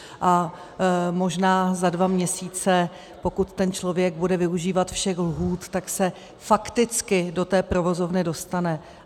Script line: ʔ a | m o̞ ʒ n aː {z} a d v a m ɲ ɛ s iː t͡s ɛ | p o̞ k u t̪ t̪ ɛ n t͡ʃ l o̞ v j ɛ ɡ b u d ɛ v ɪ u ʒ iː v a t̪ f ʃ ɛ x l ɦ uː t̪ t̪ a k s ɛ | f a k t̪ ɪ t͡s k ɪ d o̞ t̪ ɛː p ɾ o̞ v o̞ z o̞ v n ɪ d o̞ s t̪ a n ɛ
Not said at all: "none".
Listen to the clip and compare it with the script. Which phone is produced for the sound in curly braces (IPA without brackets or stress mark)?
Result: z